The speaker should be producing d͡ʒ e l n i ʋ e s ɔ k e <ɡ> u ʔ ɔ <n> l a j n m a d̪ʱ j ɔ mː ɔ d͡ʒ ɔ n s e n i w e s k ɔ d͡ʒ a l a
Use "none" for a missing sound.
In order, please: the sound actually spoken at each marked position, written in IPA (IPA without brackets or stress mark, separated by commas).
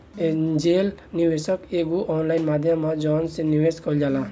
ɡ, n